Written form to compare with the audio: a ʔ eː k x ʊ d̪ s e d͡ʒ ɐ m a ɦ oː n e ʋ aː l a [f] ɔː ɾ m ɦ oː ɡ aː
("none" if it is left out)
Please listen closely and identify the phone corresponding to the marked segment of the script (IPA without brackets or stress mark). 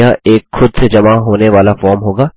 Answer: f